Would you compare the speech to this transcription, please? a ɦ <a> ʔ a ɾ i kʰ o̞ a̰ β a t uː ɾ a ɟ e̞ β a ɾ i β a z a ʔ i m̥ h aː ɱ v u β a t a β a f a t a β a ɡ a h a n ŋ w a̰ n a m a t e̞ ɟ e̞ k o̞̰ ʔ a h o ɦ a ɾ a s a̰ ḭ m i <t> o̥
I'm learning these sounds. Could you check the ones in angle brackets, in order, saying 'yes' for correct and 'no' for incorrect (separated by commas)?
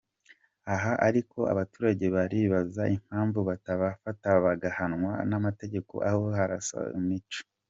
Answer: yes, no